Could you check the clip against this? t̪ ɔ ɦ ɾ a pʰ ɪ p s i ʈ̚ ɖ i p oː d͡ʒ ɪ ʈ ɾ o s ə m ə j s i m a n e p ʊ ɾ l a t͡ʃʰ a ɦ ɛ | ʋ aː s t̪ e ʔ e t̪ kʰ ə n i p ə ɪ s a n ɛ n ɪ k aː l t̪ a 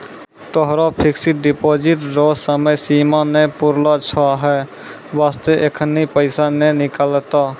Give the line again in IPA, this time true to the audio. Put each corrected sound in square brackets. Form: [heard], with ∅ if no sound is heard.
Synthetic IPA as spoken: t̪ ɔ ɦ ɾ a pʰ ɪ [k] s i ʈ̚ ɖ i p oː d͡ʒ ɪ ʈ ɾ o s ə m ə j s i m a n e p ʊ ɾ l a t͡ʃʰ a ɦ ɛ | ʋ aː s t̪ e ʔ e [∅] kʰ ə n i p ə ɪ s a n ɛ n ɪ k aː l t̪ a